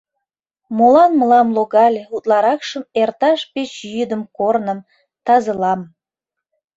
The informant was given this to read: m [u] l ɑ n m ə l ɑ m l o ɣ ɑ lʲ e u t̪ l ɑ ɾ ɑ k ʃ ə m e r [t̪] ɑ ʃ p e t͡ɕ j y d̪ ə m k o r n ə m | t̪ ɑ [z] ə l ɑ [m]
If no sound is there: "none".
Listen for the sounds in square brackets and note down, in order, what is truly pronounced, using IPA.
o, t̪, z, m

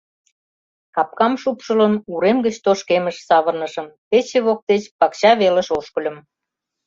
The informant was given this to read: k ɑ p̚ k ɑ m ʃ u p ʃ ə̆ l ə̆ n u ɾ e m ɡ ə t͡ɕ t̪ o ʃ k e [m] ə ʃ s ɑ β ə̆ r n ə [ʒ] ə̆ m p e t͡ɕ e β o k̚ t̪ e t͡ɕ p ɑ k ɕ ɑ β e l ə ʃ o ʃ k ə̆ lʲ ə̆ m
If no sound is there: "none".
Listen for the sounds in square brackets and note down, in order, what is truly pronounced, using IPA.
m, ʃ

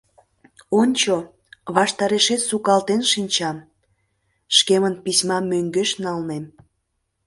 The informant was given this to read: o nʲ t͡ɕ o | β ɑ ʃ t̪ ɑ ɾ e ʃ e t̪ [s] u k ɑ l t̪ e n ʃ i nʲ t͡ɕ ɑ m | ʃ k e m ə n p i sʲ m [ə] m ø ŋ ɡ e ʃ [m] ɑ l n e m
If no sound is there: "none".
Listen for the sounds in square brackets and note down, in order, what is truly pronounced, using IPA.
s, ɑ, n

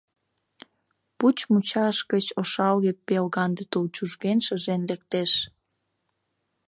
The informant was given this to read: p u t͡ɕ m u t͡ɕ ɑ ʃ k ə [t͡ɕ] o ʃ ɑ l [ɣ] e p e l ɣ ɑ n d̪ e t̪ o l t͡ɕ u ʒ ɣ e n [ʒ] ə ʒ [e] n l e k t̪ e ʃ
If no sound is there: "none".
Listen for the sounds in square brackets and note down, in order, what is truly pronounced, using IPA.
t͡ɕ, ɣ, ʃ, e

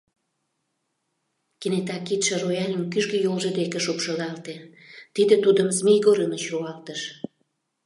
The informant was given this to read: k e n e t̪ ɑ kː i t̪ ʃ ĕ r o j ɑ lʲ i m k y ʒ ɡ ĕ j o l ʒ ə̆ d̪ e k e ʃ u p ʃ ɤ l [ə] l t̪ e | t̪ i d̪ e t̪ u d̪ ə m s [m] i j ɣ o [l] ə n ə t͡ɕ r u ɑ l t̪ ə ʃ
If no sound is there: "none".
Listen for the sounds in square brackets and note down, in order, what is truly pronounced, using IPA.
ɑ, m, ɾ

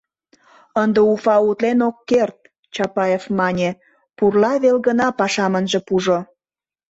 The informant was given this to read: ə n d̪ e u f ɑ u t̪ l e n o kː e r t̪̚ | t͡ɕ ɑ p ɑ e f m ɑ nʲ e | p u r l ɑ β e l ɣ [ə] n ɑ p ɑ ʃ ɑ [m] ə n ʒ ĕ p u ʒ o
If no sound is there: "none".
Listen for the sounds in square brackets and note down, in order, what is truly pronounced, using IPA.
ə, m

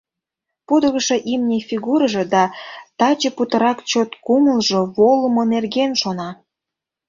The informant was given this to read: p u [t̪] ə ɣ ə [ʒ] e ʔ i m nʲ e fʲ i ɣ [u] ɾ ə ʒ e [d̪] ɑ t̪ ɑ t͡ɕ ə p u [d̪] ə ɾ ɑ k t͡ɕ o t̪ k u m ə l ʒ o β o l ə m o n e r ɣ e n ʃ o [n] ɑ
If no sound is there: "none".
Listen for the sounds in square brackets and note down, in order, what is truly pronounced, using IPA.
d̪, ʃ, u, d̪, t̪, n

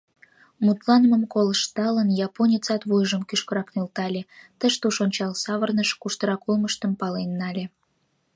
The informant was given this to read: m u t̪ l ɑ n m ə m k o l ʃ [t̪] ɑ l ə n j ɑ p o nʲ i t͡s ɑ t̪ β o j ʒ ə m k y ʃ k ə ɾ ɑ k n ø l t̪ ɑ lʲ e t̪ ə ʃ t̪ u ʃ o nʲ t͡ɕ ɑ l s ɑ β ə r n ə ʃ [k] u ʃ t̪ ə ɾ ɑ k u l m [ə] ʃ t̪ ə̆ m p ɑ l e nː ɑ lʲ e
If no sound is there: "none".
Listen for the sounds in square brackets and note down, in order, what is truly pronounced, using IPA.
t̪, k, ə

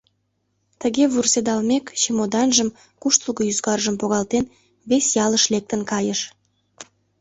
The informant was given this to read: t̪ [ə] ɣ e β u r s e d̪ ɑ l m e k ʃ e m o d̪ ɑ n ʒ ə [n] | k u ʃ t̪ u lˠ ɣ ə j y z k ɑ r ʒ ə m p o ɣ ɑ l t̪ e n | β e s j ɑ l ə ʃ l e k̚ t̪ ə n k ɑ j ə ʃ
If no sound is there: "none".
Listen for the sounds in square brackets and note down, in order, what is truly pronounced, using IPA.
ə, m

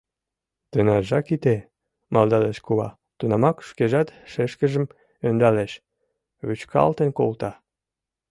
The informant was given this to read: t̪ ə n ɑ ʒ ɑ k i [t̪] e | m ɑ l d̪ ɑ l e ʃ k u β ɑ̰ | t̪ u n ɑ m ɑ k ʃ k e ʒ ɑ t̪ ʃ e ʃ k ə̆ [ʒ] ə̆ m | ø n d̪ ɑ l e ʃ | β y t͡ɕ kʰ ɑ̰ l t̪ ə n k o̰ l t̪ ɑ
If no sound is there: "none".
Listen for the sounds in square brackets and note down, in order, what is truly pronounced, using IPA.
t̪, ʒ

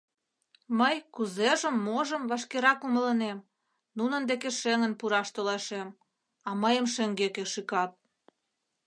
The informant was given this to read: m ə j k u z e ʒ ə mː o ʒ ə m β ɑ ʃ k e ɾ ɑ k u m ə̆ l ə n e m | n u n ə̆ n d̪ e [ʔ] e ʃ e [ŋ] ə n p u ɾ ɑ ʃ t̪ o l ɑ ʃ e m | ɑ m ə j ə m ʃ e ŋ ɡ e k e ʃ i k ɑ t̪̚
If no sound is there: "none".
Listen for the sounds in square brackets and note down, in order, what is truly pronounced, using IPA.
k, ŋ

